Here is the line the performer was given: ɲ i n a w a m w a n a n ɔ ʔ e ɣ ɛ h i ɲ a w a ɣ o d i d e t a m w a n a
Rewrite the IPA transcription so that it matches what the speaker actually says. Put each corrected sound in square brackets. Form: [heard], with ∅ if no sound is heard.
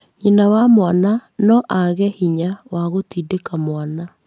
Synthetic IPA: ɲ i n a w a m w a n a n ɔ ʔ [a] ɣ ɛ h i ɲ a w a ɣ o [t] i d e [k] a m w a n a